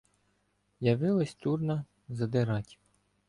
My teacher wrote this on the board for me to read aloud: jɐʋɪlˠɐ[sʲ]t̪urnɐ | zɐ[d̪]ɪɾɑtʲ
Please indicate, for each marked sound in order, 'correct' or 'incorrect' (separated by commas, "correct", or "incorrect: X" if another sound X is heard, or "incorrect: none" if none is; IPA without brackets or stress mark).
correct, correct